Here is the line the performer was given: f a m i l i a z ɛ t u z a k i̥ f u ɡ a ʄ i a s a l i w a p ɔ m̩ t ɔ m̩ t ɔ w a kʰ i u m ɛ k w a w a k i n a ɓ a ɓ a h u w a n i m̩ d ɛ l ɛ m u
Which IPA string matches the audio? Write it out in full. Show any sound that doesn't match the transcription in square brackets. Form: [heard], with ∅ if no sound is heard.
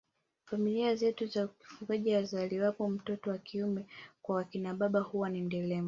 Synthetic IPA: f a m i l i a z ɛ t u z a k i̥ f u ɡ a ʄ i a [z] a l i w a p ɔ m̩ t ɔ [∅] t ɔ w a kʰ i u m ɛ k w a w a k i n a ɓ a ɓ a h u w a n i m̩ d ɛ l ɛ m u